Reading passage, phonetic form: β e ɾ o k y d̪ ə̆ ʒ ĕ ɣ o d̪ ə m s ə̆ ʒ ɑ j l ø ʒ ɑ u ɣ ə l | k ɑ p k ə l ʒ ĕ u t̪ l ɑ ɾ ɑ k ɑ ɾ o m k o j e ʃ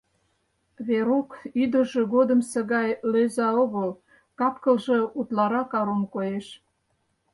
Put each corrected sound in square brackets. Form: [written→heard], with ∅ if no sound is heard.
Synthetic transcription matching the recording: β e ɾ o k y d̪ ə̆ ʒ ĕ ɣ o d̪ ə m s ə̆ [ʒ→ɣ] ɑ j l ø [ʒ→z] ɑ [u→o] ɣ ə l | k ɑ p k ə l ʒ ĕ u t̪ l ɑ ɾ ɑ k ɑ ɾ o m k o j e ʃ